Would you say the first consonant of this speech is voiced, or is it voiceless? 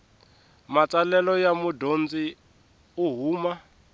voiced